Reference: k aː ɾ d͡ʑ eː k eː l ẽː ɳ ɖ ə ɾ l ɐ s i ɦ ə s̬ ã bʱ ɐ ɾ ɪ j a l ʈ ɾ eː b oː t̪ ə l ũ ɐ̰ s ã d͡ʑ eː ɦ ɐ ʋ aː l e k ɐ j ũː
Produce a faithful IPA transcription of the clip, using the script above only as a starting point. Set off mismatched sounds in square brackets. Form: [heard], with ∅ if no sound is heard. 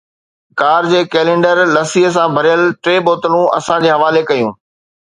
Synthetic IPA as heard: k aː ɾ d͡ʑ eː k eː l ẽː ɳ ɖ ə ɾ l ɐ s i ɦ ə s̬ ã bʱ ɐ ɾ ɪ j [ə] l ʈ ɾ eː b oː t̪ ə l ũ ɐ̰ s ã d͡ʑ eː ɦ ɐ ʋ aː l e k ɐ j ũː

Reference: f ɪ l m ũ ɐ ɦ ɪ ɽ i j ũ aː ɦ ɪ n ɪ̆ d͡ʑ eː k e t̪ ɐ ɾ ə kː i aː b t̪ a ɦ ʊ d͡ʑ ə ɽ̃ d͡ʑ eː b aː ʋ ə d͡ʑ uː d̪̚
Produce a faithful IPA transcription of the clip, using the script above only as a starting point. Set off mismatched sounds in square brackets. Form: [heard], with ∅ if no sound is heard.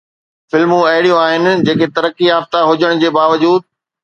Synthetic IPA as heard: f ɪ l m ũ ɐ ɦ ɪ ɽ i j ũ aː ɦ ɪ n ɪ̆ d͡ʑ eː k e t̪ ɐ ɾ ə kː i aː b t̪ a ɦ ʊ d͡ʑ ə ɽ̃ d͡ʑ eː b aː ʋ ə d͡ʑ uː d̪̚

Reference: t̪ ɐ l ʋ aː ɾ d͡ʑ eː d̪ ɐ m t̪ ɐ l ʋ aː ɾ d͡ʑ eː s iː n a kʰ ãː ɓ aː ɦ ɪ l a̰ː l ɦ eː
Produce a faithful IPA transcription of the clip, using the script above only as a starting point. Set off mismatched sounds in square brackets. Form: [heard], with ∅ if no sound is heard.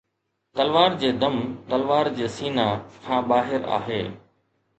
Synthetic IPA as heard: t̪ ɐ l ʋ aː ɾ d͡ʑ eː d̪ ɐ m t̪ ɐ l ʋ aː ɾ d͡ʑ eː s iː n a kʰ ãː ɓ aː ɦ ɪ [ɾ] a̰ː [∅] ɦ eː

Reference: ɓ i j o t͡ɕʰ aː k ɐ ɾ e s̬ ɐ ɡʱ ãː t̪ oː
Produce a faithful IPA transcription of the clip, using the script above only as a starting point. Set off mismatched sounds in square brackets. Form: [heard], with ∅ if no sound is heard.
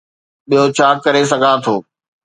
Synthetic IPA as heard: ɓ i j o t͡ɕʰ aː k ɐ ɾ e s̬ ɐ ɡʱ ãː [t̪ʰ] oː

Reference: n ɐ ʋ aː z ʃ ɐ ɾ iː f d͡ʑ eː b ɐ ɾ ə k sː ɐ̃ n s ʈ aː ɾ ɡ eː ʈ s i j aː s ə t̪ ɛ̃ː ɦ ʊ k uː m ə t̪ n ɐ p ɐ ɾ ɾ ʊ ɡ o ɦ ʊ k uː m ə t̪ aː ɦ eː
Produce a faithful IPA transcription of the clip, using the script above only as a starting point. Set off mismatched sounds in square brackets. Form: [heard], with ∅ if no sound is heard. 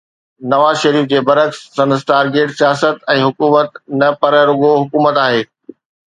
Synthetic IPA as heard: n ɐ ʋ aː z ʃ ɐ ɾ iː f d͡ʑ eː b ɐ ɾ ə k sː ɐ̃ n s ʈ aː ɾ ɡ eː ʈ s i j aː s ə t̪ ɛ̃ː ɦ ʊ k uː m ə t̪ n ɐ p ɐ ɾ ɾ ʊ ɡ o ɦ ʊ k uː m ə t̪ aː ɦ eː

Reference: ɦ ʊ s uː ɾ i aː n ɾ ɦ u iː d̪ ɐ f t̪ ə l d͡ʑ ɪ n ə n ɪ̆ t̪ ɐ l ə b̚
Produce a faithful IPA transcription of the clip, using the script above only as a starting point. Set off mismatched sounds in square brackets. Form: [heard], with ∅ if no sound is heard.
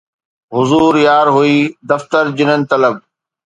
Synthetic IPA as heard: ɦ ʊ [z] uː ɾ [j] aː [∅] ɾ ɦ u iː d̪ ɐ f t̪ ə [ɾ] d͡ʑ ɪ n ə n ɪ̆ t̪ ɐ l ə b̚

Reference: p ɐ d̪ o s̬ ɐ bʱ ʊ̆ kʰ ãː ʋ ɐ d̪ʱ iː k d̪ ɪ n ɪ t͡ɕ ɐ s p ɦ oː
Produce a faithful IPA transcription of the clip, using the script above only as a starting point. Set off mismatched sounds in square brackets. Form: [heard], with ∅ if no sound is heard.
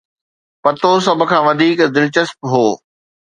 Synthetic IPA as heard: p ɐ [t̪] o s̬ ɐ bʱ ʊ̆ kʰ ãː ʋ ɐ d̪ʱ iː k d̪ ɪ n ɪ t͡ɕ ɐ s p ɦ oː

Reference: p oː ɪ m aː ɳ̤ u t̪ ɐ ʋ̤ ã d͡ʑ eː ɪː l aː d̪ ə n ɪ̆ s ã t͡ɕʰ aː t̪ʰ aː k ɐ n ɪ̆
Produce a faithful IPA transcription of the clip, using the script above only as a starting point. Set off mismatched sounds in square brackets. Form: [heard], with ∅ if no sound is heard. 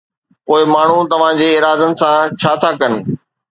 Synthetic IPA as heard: p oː ɪ m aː ɳ̤ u t̪ ɐ ʋ̤ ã d͡ʑ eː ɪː [ɾ] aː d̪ ə n ɪ̆ s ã t͡ɕʰ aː t̪ʰ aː k ɐ n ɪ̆

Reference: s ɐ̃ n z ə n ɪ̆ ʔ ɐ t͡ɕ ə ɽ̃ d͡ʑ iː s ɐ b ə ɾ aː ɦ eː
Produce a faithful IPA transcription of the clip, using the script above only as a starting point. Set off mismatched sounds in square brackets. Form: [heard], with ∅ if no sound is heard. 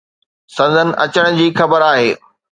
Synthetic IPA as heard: s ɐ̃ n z ə n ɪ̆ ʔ ɐ t͡ɕ ə ɽ̃ d͡ʑ iː [x] ɐ b ə ɾ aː ɦ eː

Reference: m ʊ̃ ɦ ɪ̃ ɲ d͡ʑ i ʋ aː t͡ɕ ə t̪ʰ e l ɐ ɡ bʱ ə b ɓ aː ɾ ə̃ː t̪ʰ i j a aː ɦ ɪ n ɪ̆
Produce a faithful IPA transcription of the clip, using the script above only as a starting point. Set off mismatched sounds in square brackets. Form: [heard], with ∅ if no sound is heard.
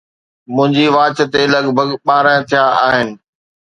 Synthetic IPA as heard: m ʊ̃ ɦ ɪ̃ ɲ d͡ʑ i ʋ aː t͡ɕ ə [t̪] e l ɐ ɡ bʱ ə [ɡ] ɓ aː ɾ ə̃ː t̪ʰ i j a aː ɦ ɪ n ɪ̆

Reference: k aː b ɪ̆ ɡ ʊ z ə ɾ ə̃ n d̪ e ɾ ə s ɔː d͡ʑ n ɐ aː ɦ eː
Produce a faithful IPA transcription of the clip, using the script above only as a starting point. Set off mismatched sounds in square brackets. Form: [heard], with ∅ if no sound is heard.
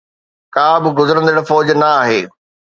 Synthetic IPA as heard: k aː b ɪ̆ ɡ ʊ z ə ɾ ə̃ n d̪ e [ɽ] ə [f] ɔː d͡ʑ n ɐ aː ɦ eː

